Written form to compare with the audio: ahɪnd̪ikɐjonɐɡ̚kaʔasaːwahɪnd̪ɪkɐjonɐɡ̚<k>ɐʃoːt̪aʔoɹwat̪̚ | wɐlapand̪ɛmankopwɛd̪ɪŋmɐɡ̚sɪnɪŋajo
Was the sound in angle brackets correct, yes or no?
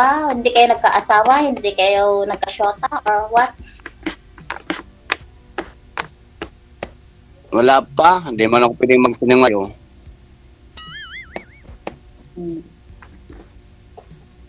yes